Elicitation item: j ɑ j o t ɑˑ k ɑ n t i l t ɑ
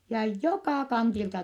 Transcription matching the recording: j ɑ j o k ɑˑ k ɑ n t i l t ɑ

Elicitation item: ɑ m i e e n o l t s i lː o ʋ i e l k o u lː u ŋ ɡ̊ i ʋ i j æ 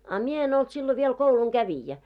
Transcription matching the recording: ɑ m i e e n o l t s i lː o ʋ i e l k o u l u ŋ ɡ̊ æ ʋ i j æ

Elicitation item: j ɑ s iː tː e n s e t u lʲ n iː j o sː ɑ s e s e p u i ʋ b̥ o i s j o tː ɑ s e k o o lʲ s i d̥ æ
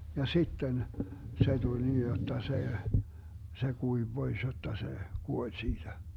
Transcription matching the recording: j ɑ s i tː e n s e t u lʲ n iː j o tː ɑ s e s e k u i ʋ b̥ o i s j o tː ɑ s e k u o lʲ s iː d̥ æ

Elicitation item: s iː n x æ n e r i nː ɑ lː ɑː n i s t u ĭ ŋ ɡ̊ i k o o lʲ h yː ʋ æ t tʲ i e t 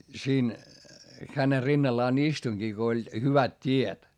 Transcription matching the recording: s iː n x æ n e r i nː ɑ lː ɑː n i s t u ĭ ŋ ɡ̊ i k o o lʲ h y ʋ æ t tʲ i e t

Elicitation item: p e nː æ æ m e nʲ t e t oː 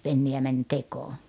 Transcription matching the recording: p e nː i æ m æ nʲ t e k oː

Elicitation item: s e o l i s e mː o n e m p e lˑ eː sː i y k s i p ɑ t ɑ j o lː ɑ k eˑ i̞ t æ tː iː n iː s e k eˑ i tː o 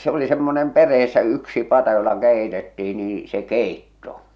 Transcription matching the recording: s e o l i s e mː o n e m p e rˑ eː sː æ y k s i p ɑ t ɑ j o lː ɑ k eˑ i̞ t e tː iː n iː s e k eˑ i tː o

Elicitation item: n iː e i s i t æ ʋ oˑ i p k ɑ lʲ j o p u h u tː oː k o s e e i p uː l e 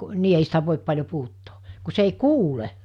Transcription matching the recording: n iː e i s i t æ ʋ oˑ i p p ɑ lʲ j o p u h u tː oː k u s e e i k uː l e

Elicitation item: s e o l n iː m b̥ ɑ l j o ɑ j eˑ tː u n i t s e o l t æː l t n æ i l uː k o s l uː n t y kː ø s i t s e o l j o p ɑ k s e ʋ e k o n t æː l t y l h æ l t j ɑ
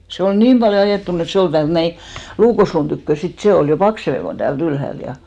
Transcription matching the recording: s e o l n iː m b̥ ɑ l j o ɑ j eˑ tː u n e t s e o l t æː l t n æ i l uː k o s l uː n t y kː ø s i t s e o l j o p ɑ k s e ʋ e k o n t æː l t y l h æ l t j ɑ

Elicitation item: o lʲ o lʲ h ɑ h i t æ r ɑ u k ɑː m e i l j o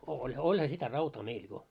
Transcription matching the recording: o lʲ o lʲ h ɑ s i t æ r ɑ u t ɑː m e i l j o

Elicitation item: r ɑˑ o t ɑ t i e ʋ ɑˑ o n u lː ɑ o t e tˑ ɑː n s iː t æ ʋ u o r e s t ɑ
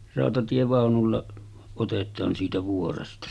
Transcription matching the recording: r ɑˑ o t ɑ t i e ʋ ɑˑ o n u lː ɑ o t e tˑ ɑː n s iː t æ ʋ u o r e s t ɑ

